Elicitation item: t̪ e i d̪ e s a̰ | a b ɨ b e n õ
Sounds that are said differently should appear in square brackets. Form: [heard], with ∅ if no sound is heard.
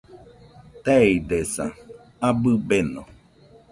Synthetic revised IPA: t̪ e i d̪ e s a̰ | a b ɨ b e n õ